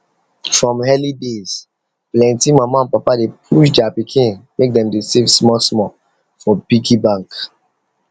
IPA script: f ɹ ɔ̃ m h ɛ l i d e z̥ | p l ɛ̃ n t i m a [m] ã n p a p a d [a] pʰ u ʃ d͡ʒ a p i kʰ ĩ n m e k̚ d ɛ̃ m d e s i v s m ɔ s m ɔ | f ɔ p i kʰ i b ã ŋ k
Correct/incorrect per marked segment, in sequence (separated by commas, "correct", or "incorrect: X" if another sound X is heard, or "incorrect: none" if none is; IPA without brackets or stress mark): correct, incorrect: e